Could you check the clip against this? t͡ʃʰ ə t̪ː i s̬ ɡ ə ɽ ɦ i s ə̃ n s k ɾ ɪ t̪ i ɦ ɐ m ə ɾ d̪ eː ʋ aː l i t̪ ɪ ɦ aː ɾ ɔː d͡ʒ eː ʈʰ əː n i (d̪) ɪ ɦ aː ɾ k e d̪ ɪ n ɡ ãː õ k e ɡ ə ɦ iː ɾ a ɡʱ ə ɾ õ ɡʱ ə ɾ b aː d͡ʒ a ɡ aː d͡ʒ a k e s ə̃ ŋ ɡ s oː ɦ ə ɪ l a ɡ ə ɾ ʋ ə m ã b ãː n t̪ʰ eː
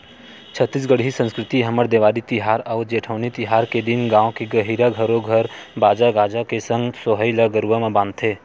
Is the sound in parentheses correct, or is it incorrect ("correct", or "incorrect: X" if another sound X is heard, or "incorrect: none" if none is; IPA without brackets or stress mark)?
incorrect: t̪